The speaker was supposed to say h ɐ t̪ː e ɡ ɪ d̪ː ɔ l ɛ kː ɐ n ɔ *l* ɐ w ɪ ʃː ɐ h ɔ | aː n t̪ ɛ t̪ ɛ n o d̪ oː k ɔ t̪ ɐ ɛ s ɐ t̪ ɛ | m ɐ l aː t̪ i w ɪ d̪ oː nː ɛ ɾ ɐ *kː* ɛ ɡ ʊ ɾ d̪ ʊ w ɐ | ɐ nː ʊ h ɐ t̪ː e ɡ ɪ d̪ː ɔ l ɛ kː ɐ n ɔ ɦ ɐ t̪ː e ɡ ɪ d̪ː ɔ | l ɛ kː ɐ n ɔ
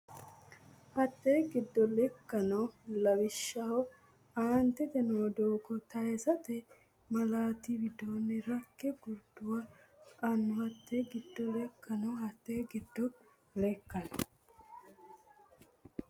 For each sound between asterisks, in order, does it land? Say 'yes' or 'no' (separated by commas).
yes, yes